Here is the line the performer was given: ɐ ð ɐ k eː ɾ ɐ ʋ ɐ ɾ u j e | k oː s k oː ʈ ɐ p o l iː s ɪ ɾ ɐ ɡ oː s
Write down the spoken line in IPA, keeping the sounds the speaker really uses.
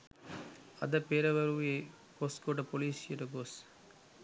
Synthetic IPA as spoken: ɐ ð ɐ p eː ɾ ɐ ʋ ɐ ɾ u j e | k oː s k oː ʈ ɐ p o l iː s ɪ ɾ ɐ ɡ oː s